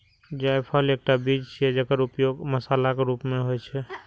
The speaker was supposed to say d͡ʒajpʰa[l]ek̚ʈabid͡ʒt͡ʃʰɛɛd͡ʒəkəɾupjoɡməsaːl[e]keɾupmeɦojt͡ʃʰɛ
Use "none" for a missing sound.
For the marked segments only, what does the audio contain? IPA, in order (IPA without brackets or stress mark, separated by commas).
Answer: l, a